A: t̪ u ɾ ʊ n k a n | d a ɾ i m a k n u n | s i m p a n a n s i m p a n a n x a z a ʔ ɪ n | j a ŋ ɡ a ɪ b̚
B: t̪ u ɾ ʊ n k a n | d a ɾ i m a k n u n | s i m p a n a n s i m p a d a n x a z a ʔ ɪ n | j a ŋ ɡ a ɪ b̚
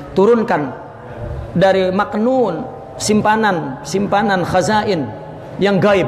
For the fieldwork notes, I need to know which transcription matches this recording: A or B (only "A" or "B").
A